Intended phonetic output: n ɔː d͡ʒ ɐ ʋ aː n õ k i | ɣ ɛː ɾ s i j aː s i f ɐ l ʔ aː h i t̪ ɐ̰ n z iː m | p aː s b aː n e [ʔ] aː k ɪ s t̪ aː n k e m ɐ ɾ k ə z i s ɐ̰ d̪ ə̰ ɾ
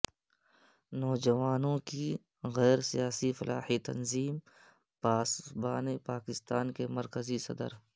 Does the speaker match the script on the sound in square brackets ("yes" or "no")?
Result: no